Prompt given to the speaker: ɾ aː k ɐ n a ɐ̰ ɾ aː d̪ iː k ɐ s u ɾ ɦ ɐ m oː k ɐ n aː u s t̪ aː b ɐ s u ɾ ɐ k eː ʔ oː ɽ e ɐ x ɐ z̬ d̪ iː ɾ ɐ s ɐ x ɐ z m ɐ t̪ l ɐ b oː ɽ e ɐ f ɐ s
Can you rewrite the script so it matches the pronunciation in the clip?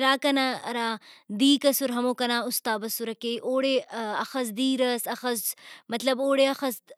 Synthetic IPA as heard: ɾ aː k ɐ n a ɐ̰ ɾ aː d̪ iː k ɐ s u ɾ ɦ ɐ m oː k ɐ n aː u s t̪ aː b ɐ s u ɾ ɐ k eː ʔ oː ɽ e ɐ x ɐ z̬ d̪ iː ɾ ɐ s ɐ x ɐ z m ɐ t̪ l ɐ b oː ɽ e ɐ x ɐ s